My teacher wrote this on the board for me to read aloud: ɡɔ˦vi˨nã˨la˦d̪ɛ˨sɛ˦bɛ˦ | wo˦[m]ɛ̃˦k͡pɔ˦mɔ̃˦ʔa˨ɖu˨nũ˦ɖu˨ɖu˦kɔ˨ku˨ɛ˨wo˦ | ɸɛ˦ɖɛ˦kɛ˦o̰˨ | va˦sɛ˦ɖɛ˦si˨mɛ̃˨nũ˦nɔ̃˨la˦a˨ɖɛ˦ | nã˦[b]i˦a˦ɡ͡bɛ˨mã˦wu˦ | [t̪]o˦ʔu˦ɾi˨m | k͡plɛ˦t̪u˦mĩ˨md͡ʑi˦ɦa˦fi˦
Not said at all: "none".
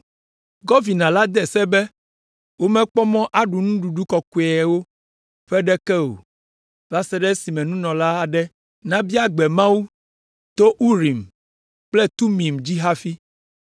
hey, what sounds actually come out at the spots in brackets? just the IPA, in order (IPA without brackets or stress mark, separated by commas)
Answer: m, b, t̪